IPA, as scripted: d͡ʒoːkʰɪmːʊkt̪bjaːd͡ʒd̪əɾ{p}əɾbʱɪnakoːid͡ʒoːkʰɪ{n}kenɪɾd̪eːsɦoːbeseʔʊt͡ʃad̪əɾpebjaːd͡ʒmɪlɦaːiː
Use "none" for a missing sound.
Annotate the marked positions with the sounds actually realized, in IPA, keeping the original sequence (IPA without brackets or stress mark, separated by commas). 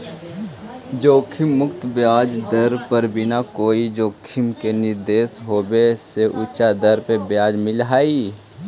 p, m